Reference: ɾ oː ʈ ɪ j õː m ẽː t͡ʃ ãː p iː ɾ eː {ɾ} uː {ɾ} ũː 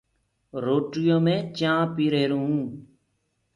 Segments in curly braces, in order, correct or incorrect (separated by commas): correct, incorrect